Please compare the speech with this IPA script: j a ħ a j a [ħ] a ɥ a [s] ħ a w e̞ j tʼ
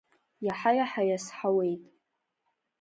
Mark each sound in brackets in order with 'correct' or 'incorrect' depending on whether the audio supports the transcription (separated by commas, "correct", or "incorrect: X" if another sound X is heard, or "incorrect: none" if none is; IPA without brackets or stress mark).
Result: correct, correct